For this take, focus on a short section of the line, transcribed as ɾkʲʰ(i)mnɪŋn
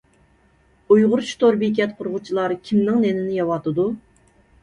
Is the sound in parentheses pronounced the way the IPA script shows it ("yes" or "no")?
yes